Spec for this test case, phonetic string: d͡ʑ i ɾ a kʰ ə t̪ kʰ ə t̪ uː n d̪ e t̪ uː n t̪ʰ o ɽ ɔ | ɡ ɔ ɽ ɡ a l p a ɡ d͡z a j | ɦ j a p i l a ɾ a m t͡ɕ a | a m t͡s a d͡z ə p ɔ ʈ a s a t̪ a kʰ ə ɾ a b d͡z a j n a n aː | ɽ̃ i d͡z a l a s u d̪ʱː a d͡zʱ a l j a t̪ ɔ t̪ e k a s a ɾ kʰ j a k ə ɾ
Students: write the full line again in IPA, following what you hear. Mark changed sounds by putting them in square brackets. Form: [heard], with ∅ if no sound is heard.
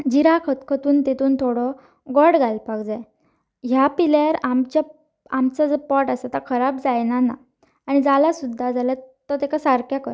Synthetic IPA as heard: d͡ʑ i ɾ a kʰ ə t̪ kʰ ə t̪ uː n [t̪] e t̪ uː n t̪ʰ o ɽ ɔ | ɡ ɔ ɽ ɡ a l p a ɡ d͡z a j | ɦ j a p i l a ɾ a m t͡ɕ a | a m t͡s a d͡z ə p ɔ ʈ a s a t̪ a kʰ ə ɾ a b d͡z a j n a n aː | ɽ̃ i d͡z a l a s u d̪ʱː a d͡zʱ a l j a t̪ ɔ t̪ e k a s a ɾ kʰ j a k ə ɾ

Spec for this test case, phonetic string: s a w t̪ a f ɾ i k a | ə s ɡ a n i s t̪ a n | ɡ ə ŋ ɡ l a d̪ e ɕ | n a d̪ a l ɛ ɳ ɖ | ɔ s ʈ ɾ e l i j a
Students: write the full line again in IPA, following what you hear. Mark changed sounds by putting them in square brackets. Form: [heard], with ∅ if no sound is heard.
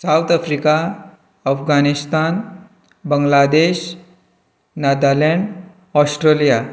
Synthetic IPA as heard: s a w t̪ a f ɾ i k a | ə [f] ɡ a n i s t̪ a n | [b] ə ŋ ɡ l a d̪ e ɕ | n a d̪ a l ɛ ɳ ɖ | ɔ s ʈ ɾ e l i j a

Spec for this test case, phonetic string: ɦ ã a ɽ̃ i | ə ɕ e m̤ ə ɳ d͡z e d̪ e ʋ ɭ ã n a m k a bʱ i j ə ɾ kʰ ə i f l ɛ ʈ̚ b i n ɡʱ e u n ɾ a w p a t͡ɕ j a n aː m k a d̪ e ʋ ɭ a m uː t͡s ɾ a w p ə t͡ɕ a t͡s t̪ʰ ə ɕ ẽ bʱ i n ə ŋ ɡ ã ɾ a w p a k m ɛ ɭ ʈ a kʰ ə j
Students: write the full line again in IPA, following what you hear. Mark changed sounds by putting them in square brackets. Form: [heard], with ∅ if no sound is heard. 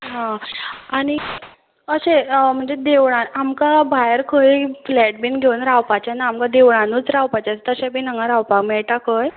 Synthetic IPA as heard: ɦ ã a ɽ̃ i | ə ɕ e m̤ ə ɳ d͡z e d̪ e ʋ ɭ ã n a m k a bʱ [a] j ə ɾ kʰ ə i f l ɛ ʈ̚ b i n ɡʱ e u n ɾ a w p a t͡ɕ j a n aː m k a d̪ e ʋ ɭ a [n] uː t͡s ɾ a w p [a] t͡ɕ a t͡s [t̪] ə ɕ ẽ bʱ i n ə ŋ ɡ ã ɾ a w p a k m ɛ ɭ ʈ a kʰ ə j

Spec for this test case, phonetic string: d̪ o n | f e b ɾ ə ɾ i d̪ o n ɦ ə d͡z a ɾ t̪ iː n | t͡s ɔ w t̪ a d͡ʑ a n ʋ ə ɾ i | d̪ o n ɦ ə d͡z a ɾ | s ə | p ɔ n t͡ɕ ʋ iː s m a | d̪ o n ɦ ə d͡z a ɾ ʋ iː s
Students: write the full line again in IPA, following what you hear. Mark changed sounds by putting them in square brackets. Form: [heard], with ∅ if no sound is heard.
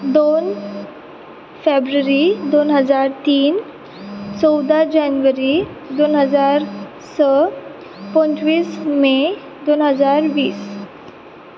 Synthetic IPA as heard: d̪ o n | f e b ɾ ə ɾ i d̪ o n ɦ ə d͡z a ɾ t̪ iː n | t͡s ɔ w [d̪] a d͡ʑ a n ʋ ə ɾ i | d̪ o n ɦ ə d͡z a ɾ | s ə | p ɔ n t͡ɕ ʋ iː s m [e] | d̪ o n ɦ ə d͡z a ɾ ʋ iː s

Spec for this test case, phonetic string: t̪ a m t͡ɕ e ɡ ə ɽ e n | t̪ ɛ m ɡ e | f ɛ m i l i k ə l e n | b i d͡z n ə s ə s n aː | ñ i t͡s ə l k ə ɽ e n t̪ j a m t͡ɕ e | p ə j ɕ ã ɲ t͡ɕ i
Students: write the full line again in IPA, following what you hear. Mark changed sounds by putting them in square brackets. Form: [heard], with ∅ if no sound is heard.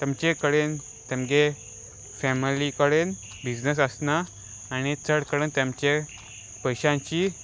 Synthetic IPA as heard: t̪ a m t͡ɕ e [k] ə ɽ e n | t̪ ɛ m ɡ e | f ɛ m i l i k ə [ɽ] e n | b i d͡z n ə s ə s n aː | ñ i t͡s ə [ɽ] k ə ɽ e n t̪ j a m t͡ɕ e | p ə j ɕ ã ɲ t͡ɕ i

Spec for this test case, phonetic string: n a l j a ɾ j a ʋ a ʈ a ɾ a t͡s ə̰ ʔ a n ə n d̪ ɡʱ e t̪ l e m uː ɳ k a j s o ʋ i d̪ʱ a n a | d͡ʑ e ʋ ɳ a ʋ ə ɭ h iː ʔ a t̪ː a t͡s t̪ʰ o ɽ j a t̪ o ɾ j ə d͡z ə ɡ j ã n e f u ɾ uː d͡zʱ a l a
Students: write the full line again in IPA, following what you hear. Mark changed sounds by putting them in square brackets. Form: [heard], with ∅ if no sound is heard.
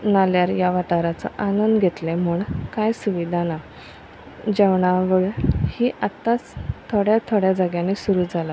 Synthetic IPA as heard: n a l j a ɾ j a ʋ a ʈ a ɾ a t͡s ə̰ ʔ a n ə n d̪ ɡʱ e t̪ l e m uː ɳ k a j s [u] ʋ i d̪ʱ a n a | d͡ʑ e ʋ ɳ a ʋ ə ɭ h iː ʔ a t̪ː a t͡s t̪ʰ o ɽ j a [t̪ʰ] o [ɽ] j [a] d͡z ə ɡ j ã n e [s] u ɾ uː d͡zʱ a l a

